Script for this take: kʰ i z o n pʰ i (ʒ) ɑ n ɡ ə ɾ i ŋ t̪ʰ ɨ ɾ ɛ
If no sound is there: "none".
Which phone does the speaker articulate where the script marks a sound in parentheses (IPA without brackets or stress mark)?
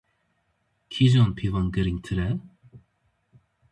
v